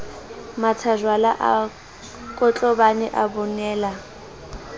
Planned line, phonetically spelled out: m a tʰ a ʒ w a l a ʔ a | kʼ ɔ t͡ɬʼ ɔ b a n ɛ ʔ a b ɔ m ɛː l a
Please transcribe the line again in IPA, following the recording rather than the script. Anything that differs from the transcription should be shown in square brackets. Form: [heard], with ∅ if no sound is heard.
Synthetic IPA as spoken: m a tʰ a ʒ w a l a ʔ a | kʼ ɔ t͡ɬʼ ɔ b a n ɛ ʔ a b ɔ [n] ɛː l a